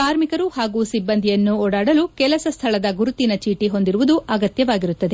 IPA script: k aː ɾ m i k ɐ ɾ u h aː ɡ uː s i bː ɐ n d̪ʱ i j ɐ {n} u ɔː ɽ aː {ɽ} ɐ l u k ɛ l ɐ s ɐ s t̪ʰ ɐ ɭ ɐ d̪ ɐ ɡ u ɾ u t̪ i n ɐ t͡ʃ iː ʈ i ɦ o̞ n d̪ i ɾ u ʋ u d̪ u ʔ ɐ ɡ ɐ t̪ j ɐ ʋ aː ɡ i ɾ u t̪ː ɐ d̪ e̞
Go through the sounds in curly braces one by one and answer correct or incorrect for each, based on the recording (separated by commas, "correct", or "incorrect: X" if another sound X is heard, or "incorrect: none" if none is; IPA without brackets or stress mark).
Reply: incorrect: nː, correct